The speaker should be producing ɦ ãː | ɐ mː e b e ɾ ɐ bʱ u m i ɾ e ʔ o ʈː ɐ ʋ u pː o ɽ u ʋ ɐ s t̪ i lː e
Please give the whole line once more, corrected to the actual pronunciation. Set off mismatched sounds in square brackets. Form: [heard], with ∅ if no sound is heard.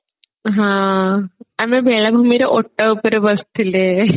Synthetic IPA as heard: ɦ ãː | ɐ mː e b e [ɭ] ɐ bʱ u m i ɾ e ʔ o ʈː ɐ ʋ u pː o [ɾ] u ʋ ɐ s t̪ i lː e